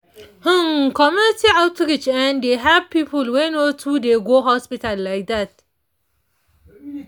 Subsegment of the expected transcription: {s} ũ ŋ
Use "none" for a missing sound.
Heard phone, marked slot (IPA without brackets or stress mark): h